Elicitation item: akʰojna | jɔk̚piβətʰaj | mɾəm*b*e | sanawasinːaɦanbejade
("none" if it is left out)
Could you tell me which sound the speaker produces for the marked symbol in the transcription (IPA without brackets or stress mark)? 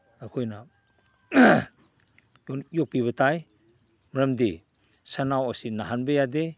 d